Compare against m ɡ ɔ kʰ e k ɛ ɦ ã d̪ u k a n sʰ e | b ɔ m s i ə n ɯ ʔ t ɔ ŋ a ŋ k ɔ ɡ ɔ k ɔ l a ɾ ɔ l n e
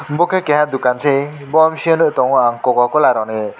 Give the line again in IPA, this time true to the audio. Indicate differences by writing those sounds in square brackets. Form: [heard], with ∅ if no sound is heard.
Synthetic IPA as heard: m [b] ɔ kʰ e k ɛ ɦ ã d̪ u k a n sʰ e | b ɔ m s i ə n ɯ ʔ t ɔ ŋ a ŋ k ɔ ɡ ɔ k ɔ l a ɾ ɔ [∅] n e